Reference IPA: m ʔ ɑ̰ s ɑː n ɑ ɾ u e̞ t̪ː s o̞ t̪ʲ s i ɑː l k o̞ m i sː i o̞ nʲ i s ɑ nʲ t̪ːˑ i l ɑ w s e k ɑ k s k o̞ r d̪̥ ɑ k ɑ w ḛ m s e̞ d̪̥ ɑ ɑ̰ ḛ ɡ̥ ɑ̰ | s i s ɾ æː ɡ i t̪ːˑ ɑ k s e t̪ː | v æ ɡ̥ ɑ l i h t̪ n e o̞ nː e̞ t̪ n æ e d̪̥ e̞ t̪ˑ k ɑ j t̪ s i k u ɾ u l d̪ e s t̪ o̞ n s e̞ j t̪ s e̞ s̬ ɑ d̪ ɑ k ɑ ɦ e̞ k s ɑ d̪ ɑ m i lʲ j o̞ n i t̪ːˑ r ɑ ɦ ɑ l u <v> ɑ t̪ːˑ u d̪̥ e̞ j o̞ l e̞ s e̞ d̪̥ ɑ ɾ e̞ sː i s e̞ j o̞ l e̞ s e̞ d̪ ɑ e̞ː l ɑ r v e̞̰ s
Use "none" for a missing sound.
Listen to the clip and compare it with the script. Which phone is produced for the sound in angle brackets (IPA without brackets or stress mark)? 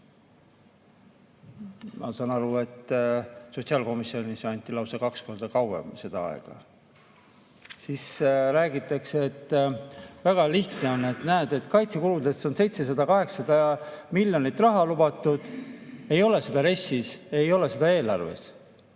b